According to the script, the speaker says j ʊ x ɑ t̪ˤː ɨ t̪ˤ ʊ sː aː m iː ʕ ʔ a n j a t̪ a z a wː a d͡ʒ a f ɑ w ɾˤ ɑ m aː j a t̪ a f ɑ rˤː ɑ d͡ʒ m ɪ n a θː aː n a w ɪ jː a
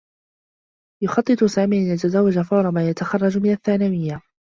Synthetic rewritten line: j ʊ x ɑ t̪ˤː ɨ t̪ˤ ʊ s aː m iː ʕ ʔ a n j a t̪ a z a wː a d͡ʒ a f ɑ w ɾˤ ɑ m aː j a t̪ a x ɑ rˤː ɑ d͡ʒ m ɪ n a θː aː n a w ɪ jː a